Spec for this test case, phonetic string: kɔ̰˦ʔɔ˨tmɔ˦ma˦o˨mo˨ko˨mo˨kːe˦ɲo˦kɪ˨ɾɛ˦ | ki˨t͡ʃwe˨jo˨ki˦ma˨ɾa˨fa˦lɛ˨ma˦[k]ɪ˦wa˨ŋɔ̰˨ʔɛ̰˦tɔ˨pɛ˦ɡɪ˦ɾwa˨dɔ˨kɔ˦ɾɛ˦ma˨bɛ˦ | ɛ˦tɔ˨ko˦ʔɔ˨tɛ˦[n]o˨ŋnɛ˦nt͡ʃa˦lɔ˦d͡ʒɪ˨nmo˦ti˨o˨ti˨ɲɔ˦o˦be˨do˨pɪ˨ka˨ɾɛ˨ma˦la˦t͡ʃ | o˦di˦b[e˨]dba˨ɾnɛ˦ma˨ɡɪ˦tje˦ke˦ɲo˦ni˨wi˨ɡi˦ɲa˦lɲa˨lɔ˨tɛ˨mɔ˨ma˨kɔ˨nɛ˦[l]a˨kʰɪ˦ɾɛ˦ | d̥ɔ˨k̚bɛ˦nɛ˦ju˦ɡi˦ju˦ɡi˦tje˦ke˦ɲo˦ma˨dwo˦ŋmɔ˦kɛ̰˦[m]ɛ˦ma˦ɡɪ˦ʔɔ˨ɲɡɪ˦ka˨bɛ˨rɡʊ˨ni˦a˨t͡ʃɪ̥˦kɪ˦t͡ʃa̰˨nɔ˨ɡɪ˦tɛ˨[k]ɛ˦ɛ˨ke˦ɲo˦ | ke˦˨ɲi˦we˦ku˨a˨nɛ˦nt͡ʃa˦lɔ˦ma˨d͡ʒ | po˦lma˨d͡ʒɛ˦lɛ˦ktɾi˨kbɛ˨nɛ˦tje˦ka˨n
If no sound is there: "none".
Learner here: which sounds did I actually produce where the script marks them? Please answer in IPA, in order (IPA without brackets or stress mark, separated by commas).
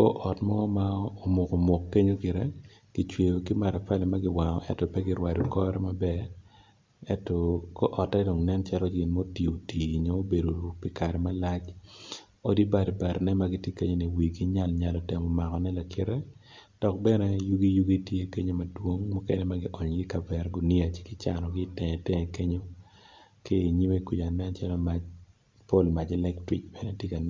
ɡ, d, a˨, l, n, t